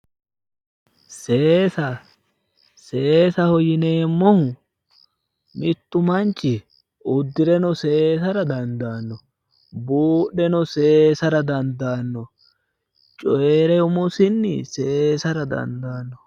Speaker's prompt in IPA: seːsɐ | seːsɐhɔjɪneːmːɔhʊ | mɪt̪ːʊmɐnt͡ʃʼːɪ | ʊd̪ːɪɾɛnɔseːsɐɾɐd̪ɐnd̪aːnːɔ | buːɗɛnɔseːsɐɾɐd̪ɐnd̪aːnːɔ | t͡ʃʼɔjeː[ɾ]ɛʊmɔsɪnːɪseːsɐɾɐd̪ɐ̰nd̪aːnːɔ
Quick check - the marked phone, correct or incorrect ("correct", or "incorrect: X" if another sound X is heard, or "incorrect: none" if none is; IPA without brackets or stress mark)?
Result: correct